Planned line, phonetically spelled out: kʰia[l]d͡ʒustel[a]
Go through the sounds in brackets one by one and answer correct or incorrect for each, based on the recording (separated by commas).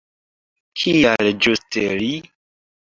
correct, incorrect